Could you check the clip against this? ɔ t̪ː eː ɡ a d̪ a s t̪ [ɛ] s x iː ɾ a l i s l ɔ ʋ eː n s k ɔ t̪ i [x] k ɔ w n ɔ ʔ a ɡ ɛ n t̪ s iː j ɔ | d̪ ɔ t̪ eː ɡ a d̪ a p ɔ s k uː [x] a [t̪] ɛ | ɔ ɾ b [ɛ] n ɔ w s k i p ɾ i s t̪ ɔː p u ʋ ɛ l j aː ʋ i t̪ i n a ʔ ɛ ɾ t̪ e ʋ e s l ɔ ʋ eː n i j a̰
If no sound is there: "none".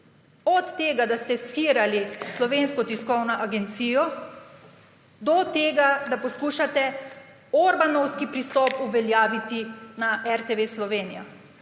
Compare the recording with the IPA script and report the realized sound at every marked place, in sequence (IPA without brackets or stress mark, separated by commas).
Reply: ɛ, s, ʃ, t̪, a